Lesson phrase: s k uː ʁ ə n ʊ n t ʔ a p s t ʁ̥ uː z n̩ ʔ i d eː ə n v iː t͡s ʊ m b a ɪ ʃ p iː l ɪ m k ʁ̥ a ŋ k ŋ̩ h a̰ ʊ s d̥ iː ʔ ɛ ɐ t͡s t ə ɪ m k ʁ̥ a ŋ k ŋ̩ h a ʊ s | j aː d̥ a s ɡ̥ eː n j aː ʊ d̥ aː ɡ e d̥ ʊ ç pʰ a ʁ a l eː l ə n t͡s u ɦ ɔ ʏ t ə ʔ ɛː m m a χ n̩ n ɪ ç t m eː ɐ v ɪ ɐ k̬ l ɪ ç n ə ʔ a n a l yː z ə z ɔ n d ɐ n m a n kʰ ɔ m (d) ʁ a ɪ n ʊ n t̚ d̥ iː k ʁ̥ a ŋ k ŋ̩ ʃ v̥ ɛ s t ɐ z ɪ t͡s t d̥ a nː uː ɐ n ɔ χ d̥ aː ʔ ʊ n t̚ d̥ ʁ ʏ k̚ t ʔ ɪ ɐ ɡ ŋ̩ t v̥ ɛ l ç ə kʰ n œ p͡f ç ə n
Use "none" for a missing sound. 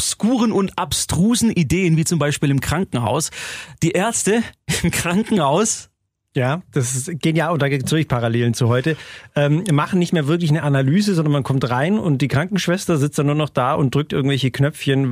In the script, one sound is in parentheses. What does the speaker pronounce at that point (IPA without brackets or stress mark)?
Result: t